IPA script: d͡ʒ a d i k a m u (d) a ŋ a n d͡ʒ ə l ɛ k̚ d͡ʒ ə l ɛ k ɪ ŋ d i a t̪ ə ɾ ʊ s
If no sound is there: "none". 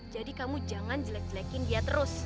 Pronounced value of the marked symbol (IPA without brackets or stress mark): d͡ʒ